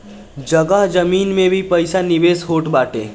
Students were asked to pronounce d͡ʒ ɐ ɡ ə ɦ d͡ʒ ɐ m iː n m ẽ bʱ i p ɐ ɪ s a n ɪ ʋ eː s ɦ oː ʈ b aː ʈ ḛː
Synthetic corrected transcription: d͡ʒ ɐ ɡ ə ɦ d͡ʒ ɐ m iː n m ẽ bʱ i p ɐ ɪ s a n ɪ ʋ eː s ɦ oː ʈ b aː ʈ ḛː